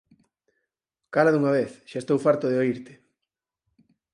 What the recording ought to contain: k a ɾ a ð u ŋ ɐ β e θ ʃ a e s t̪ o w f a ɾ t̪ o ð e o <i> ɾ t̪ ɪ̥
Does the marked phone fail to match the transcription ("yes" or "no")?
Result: no